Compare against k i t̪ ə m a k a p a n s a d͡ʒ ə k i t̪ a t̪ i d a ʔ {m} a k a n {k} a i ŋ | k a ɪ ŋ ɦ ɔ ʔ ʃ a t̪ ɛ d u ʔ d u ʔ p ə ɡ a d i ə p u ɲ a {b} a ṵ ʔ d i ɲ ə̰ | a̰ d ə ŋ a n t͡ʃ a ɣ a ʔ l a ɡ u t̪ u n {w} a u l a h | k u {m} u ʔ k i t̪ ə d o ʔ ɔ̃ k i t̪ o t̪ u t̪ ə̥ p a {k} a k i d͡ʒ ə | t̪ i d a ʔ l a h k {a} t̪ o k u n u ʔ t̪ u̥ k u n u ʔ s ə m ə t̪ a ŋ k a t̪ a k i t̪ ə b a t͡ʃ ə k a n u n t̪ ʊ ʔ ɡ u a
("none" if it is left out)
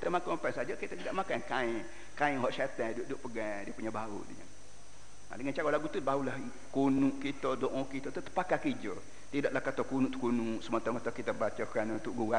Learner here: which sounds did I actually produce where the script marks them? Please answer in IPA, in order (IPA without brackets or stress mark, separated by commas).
m, k, b, b, n, k, a